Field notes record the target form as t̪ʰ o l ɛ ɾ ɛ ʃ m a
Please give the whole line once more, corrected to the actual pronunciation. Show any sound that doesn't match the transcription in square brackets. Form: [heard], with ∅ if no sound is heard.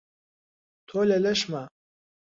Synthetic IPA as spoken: t̪ʰ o l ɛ [l] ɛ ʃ m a